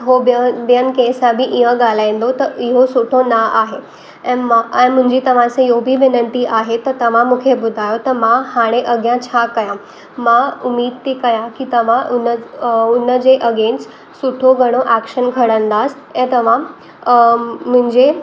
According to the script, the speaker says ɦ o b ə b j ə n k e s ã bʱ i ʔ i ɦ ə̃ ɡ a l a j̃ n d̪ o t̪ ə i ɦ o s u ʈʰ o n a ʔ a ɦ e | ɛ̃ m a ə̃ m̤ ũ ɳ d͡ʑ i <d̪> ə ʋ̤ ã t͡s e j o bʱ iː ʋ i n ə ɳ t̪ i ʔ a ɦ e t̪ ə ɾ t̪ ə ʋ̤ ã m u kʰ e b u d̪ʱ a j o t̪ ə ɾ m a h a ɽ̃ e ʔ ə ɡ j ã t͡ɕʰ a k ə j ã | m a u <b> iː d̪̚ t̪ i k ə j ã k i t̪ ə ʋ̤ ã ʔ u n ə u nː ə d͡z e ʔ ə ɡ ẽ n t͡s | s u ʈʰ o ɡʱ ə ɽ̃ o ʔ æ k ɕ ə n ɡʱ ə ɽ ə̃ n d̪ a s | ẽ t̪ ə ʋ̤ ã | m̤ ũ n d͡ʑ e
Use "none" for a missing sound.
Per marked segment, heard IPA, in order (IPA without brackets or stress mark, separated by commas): t̪, m